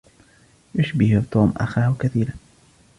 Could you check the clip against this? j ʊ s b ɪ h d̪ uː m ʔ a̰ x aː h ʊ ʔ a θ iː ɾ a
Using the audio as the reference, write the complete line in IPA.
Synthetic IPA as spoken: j ʊ ʃ b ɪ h t̪ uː m ʔ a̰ x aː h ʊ k a θ iː ɾ a

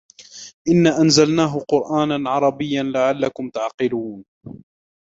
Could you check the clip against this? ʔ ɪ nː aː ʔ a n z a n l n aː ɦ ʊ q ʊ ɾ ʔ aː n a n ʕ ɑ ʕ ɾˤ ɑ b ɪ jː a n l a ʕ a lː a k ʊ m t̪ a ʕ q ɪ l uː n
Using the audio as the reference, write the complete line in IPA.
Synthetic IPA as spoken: ʔ ɪ nː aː ʔ a n z a l n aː ɦ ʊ q ʊ ɾ ʔ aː n a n ʕ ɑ ɾˤ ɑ b ɪ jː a n l a ʕ a lː a k ʊ m t̪ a ʕ q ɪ l uː n

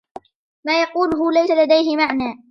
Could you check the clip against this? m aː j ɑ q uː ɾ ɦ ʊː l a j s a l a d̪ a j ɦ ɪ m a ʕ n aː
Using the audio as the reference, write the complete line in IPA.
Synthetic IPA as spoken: m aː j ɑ q uː l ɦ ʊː l a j s a l a d̪ a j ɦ ɪ m a ʕ n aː

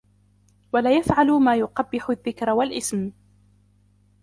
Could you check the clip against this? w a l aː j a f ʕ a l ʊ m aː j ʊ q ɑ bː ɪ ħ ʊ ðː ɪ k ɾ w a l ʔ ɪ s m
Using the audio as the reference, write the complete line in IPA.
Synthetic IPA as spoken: w a l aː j a f ʕ a l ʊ m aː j ʊ q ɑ bː ɪ ħ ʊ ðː ɪ k ɾ w a l ʔ ɪ s m

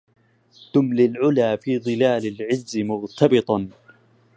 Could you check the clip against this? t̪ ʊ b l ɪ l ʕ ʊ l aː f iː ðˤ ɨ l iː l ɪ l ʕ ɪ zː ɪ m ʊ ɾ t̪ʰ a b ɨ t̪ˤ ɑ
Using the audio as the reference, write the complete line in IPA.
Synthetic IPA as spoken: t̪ ʊ m l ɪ l ʕ ʊ l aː f iː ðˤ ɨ l aː l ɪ l ʕ ɪ zː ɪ m ʊ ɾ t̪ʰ ɑ b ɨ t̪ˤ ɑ

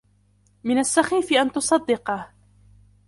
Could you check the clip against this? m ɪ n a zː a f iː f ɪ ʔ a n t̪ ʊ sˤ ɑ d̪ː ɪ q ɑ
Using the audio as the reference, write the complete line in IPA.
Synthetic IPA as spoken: m ɪ n a sː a x iː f ɪ ʔ a n t̪ ʊ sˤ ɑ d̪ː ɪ q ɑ

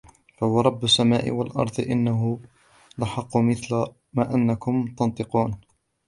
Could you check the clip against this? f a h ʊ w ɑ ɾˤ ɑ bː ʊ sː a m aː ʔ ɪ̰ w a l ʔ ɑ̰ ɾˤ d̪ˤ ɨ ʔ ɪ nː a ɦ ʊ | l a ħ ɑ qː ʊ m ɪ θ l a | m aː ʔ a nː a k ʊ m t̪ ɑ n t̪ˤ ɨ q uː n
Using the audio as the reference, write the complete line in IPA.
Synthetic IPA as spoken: f a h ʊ w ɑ ɾˤ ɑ bː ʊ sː a m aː ʔ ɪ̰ w a l ʔ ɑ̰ ɾˤ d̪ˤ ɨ ʔ ɪ nː a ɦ ʊ | l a ħ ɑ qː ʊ m ɪ θ l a | m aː ʔ a nː a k ʊ m t̪ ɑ n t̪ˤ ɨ q uː n

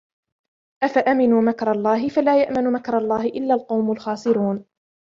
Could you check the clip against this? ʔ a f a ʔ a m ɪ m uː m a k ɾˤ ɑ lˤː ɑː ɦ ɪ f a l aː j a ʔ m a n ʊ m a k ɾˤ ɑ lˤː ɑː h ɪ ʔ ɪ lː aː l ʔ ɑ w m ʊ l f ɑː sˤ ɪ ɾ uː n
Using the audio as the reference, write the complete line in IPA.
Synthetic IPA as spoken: ʔ a f a ʔ a m ɪ n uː m a k ɾˤ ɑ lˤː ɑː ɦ ɪ f a l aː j a ʔ m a n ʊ m a k ɾˤ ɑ lˤː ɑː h ɪ ʔ ɪ lː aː l q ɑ w m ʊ l x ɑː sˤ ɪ ɾ uː n

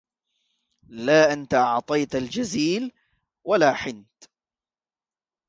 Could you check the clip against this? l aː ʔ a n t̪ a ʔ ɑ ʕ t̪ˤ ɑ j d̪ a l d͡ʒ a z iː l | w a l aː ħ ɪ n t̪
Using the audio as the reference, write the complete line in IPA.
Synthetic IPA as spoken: l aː ʔ a n t̪ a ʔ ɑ ʕ t̪ˤ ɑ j t̪ a l d͡ʒ a z iː l | w a l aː ħ ɪ n t̪

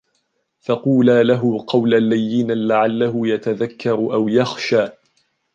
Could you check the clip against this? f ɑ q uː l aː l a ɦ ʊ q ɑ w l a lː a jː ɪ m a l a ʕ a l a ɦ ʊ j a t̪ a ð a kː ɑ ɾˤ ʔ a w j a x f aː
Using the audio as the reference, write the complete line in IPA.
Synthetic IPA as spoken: f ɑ q uː l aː l a ɦ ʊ q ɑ w l a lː a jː ɪ n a l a ʕ a lː a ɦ ʊ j a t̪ a ð a kː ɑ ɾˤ ʔ a w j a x ʃ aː

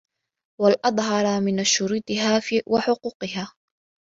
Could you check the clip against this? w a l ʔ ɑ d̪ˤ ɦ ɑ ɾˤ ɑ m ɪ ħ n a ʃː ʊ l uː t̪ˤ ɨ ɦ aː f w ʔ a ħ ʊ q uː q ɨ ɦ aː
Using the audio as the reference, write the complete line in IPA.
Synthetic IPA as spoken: w a l ʔ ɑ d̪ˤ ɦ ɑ ɾˤ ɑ m ɪ n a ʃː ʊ ɾ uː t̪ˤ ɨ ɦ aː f w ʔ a ħ ʊ q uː q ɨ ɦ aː

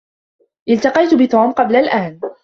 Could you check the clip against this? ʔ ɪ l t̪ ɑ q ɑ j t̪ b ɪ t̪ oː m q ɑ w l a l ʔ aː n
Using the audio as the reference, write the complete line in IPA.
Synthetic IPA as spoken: ʔ ɪ l t̪ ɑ q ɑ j t̪ b ɪ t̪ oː m q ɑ b l a l ʔ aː n

